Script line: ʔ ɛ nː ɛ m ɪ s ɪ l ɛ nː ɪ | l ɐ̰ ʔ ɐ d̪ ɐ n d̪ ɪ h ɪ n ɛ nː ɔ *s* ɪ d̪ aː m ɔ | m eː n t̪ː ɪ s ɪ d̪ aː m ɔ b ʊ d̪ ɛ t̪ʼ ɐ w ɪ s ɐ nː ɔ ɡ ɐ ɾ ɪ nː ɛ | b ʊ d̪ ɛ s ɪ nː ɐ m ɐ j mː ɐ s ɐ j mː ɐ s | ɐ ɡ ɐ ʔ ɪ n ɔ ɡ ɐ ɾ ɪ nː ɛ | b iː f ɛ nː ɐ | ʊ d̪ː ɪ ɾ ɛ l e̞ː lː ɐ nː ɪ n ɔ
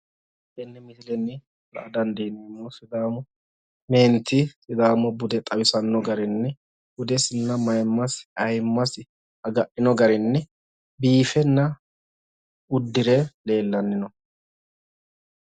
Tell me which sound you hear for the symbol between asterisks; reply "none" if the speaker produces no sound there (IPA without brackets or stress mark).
s